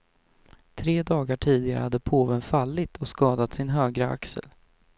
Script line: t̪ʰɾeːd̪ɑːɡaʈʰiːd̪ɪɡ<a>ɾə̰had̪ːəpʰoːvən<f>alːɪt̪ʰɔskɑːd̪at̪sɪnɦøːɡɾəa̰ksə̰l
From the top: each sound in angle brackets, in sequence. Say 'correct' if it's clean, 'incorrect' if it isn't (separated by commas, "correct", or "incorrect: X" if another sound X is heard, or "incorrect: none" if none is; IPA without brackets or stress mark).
correct, correct